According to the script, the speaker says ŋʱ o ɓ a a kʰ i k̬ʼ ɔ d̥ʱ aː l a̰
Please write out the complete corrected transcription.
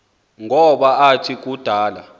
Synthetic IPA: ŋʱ ɔ ɓ a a tʰ i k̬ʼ u d̥ʱ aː l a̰